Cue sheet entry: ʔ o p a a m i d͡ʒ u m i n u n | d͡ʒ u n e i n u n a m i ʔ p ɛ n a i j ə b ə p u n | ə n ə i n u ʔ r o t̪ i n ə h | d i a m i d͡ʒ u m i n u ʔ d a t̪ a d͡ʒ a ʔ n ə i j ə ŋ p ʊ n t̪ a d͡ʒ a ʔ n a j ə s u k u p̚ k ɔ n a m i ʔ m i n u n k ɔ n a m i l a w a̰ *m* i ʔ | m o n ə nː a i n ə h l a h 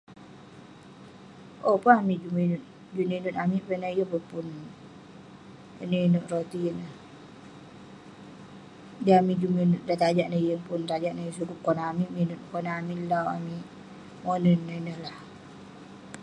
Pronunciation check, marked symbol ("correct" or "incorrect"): correct